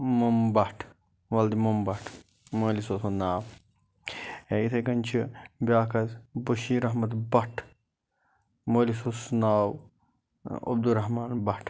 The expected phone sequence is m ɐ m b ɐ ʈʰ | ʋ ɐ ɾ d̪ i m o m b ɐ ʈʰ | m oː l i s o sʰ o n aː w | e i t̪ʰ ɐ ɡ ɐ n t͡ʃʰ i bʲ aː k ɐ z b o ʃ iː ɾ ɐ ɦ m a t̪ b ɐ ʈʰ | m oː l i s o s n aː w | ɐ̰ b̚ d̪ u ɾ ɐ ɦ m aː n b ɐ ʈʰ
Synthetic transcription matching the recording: m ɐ m b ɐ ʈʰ | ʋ ɐ l d̪ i m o m b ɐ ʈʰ | m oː l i s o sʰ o n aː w | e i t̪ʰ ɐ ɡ ɐ n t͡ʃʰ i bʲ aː k ɐ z b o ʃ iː ɾ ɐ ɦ m ɐ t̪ b ɐ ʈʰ | m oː l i s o s n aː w | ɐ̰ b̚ d̪ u ɾ ɐ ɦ m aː n b ɐ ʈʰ

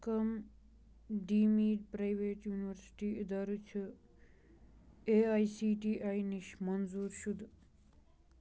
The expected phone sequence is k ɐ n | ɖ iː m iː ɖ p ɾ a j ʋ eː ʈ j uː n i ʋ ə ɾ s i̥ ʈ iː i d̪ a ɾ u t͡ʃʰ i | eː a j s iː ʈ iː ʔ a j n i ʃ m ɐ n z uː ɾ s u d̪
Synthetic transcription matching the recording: k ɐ m | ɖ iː m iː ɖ p ɾ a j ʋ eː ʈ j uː n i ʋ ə ɾ s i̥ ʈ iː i d̪ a ɾ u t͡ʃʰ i | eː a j s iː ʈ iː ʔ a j n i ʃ m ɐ n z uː ɾ ʃ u d̪

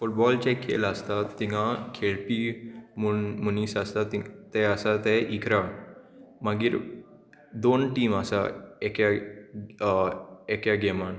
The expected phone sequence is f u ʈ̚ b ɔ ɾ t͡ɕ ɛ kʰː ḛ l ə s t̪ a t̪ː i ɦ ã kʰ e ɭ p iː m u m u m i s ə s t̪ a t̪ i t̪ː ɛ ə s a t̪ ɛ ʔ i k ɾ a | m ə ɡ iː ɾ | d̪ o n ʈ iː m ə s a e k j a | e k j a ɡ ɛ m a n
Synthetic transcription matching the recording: f u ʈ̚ b ɔ l t͡ɕ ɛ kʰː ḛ l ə s t̪ a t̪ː i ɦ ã kʰ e ɭ p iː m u m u n i s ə s t̪ a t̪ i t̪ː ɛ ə s a t̪ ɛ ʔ i k ɾ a | m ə ɡ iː ɾ | d̪ o n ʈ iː m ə s a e k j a | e k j a ɡ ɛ m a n

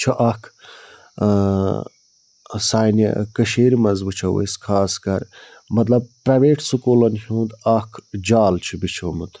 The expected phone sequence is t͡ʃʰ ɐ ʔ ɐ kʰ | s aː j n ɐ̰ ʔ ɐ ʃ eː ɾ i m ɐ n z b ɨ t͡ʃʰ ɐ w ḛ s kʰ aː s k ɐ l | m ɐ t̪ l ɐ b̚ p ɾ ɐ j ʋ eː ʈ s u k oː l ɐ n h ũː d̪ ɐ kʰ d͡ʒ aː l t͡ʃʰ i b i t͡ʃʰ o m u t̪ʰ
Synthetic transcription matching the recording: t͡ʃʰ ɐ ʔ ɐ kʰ | s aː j n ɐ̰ k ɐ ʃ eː ɾ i m ɐ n z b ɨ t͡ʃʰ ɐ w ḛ s kʰ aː s k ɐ ɾ | m ɐ t̪ l ɐ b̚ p ɾ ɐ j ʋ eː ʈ s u k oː l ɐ n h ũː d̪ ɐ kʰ d͡ʒ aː l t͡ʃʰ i b i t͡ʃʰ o m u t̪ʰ

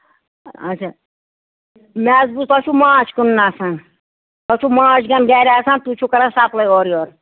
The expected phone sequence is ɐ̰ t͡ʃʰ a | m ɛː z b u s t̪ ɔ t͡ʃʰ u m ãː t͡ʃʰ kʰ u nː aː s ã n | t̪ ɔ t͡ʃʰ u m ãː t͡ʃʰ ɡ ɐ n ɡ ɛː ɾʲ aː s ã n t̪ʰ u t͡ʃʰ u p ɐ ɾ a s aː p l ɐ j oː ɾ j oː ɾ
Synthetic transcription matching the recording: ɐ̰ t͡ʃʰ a | m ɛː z b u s t̪ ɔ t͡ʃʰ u m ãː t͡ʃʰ k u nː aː s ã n | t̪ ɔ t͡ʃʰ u m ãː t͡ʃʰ ɡ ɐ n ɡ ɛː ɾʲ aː s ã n t̪ u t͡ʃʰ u k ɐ ɾ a s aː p l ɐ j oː ɾ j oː ɾ

